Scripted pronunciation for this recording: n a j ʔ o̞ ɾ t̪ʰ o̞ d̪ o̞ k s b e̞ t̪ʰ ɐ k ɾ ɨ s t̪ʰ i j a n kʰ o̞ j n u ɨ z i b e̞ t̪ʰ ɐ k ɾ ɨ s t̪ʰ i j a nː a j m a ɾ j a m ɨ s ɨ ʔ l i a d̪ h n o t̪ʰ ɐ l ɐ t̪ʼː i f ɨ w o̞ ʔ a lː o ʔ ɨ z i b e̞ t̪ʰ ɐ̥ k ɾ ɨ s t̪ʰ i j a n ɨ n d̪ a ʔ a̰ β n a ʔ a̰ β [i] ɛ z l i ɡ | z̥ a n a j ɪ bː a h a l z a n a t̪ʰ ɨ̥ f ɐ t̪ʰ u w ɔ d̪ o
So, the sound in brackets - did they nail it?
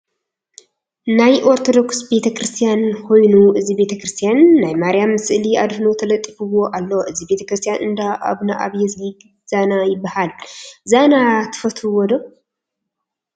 no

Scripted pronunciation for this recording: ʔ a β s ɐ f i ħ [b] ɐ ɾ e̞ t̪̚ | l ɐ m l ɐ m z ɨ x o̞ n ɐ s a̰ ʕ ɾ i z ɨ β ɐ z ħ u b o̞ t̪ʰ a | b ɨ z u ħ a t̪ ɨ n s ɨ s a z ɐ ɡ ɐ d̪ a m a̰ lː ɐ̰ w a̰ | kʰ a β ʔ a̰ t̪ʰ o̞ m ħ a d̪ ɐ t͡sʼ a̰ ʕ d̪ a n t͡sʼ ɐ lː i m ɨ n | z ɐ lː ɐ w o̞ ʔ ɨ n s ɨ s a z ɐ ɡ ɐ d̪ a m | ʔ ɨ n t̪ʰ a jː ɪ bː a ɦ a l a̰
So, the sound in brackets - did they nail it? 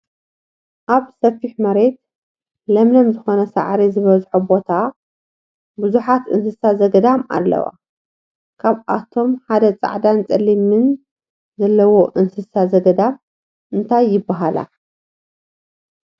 no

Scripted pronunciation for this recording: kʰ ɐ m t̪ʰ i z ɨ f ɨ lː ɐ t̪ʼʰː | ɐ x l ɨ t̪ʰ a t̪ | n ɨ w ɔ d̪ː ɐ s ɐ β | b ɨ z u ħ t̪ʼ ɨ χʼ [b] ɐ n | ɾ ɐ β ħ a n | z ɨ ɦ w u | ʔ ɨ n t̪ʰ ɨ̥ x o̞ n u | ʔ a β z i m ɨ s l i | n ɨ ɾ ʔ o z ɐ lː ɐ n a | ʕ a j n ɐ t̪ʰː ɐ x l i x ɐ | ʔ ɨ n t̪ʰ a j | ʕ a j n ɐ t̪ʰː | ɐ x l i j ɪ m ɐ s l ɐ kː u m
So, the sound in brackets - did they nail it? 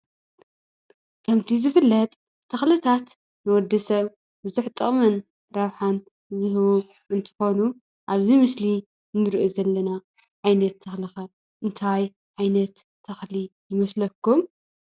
no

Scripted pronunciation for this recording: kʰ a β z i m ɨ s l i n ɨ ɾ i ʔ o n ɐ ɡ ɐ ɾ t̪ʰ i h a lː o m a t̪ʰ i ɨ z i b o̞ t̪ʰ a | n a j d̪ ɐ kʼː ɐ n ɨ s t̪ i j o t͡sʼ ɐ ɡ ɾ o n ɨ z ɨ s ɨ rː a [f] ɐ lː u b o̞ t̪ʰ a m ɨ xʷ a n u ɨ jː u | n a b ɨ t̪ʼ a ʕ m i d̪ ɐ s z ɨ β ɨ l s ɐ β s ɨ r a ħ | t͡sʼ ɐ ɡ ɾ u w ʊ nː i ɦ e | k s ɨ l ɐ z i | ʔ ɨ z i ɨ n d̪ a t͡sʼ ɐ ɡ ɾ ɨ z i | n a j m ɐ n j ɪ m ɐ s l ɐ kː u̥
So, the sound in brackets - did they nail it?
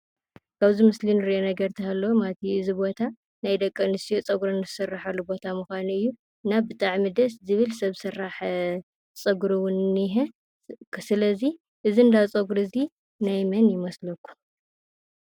no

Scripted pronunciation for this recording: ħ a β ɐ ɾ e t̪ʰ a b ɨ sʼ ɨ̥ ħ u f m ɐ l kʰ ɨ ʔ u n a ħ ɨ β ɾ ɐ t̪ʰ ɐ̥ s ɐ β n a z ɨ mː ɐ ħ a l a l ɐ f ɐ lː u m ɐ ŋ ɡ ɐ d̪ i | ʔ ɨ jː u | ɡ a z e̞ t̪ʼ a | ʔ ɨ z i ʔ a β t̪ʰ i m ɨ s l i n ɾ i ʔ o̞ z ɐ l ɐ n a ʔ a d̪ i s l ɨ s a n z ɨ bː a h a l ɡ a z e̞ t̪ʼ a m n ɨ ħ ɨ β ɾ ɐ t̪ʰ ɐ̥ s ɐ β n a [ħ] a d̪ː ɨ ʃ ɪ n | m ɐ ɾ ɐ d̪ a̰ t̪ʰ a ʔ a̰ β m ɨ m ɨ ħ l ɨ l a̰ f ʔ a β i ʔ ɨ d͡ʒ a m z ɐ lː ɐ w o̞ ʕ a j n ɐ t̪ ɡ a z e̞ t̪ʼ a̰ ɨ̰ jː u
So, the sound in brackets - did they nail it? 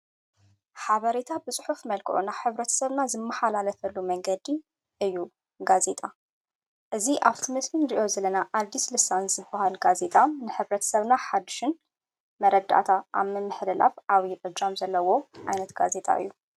yes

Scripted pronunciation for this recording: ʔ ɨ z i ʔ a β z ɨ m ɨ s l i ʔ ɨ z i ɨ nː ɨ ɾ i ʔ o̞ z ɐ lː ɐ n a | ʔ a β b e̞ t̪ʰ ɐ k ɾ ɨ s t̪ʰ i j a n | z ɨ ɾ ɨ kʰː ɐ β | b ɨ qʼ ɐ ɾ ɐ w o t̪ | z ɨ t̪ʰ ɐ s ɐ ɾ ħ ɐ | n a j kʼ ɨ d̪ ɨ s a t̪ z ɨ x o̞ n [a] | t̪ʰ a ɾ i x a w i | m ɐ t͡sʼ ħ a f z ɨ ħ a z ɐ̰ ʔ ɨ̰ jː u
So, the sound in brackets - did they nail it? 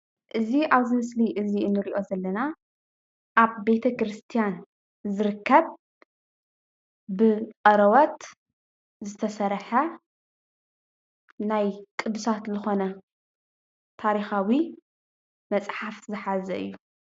no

